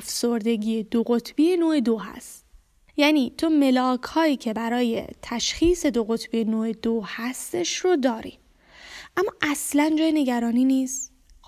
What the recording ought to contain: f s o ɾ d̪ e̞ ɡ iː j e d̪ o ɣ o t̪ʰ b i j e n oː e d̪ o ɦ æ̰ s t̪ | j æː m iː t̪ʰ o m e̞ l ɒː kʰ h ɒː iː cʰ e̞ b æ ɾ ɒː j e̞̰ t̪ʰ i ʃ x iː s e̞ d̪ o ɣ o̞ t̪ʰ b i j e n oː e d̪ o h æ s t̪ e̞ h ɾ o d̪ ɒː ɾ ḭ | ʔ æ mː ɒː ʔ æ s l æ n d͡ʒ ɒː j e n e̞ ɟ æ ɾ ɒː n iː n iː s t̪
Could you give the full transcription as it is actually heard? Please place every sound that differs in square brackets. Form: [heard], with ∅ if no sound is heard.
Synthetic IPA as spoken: f s o ɾ d̪ e̞ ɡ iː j e d̪ o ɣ o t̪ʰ b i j e n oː e d̪ o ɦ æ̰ s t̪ | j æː [n] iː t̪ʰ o m e̞ l ɒː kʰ h ɒː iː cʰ e̞ b æ ɾ ɒː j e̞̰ t̪ʰ [æ] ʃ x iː s e̞ d̪ o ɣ o̞ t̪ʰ b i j e n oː e d̪ o h æ s t̪ e̞ [ʃ] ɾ o d̪ ɒː ɾ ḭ | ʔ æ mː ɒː ʔ æ s l æ n d͡ʒ ɒː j e n e̞ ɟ æ ɾ ɒː n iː n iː s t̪